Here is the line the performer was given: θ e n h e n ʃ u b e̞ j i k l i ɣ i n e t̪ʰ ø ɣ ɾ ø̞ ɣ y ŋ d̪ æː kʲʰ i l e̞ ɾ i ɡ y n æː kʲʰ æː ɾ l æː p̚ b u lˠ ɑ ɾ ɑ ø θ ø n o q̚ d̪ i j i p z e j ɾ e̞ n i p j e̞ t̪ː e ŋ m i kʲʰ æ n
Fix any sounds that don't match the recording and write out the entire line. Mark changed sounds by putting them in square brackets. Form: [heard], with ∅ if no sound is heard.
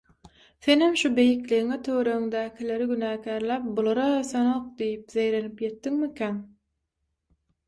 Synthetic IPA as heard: θ e n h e [m] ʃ u b e̞ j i k l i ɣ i [ŋ] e t̪ʰ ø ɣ ɾ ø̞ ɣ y ŋ d̪ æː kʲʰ i l e̞ ɾ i ɡ y n æː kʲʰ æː ɾ l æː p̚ b u lˠ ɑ ɾ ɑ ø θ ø n o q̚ d̪ i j i p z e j ɾ e̞ n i p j e̞ t̪ː [i] ŋ m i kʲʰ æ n